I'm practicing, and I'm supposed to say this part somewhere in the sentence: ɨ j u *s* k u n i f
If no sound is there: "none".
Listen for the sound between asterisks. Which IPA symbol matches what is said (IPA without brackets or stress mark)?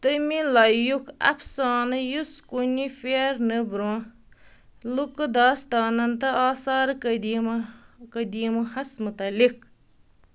s